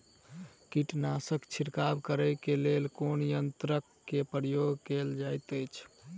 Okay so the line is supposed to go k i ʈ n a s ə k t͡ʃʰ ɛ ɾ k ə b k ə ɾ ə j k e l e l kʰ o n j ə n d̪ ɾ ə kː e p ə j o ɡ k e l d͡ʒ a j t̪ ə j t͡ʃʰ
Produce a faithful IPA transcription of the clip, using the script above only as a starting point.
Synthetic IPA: k i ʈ n a s ə k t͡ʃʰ i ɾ k a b k ə ɾ ə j k e l e l k o n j ə n t̪ ɾ ə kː e p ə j o ɡ k e l d͡ʒ a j t̪ ə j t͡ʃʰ